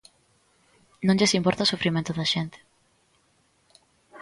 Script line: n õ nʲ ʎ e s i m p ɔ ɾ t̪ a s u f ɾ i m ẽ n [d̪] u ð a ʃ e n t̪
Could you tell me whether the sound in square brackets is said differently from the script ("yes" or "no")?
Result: yes